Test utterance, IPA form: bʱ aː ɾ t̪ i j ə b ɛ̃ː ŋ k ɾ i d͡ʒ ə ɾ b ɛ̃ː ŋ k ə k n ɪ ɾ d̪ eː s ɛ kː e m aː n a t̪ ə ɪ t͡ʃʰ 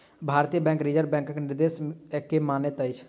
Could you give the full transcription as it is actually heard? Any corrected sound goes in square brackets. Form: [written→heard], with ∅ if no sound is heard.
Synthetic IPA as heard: bʱ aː ɾ t̪ i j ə b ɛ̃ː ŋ k ɾ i d͡ʒ ə ɾ b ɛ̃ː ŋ k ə k n ɪ ɾ d̪ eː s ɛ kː e m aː n [a→e] t̪ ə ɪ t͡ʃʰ